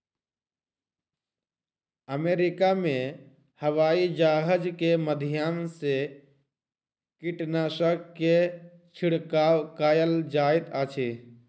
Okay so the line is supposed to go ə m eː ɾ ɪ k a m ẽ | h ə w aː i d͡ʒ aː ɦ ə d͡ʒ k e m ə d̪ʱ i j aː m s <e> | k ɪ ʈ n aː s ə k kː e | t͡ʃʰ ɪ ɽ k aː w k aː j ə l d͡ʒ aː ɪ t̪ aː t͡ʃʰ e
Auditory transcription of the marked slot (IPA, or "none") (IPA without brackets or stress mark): e